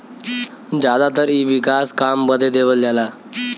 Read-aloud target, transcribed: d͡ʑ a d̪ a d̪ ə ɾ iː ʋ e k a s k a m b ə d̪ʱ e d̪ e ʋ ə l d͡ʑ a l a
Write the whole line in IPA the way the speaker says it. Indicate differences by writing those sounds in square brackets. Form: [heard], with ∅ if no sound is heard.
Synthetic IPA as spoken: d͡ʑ a d̪ a [t̪] ə ɾ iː ʋ [i] k a s k a m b ə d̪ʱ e d̪ e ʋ ə l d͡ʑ a l a